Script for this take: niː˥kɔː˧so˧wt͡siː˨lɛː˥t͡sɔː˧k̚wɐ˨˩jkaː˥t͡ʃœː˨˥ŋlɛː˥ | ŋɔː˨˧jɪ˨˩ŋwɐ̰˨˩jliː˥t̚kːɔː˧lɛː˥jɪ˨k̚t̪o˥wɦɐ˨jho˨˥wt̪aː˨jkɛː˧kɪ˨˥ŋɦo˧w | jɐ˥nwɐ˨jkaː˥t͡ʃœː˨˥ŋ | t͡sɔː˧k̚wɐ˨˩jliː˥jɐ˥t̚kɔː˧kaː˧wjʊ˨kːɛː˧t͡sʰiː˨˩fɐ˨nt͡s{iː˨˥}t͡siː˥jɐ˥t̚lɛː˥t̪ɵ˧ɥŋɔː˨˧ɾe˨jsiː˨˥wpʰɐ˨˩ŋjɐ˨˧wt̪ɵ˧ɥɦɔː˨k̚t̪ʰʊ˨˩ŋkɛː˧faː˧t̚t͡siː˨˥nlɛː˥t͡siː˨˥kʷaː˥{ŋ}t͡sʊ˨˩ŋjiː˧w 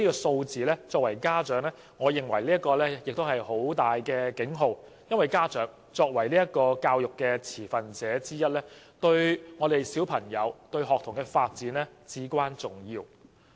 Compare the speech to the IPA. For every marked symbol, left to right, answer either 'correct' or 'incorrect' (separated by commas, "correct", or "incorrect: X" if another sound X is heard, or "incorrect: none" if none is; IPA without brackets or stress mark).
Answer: incorrect: ɛː˨˥, incorrect: n